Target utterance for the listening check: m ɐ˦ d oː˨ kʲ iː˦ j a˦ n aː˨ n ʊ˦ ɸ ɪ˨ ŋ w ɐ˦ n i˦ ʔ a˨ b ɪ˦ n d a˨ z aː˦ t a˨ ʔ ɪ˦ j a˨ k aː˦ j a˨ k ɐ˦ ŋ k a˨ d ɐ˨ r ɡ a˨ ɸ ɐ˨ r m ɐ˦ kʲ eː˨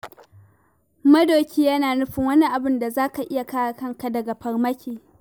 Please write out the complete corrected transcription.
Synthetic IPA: m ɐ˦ d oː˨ kʲ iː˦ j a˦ n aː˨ n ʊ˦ ɸ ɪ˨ ŋ w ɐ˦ n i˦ ʔ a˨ b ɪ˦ n d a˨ z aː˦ k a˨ ʔ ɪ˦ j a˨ k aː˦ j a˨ k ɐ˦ ŋ k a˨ d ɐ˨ ɡ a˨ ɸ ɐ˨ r m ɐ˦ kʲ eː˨

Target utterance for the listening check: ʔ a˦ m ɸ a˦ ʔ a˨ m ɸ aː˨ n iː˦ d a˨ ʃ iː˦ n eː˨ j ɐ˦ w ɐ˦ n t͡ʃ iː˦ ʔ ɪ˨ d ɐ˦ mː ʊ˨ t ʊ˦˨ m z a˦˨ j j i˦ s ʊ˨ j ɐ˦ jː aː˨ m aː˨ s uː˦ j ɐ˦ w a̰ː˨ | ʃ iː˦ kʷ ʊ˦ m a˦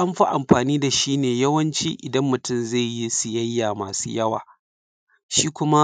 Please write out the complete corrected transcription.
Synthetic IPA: ʔ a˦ m ɸ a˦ ʔ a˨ m ɸ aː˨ n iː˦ d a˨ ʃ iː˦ n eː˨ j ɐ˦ w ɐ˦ n t͡ʃ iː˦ ʔ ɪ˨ d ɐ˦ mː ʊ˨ t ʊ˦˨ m z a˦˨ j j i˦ s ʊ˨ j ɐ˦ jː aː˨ m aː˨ s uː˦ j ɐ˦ w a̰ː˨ | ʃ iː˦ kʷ ʊ˦ m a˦

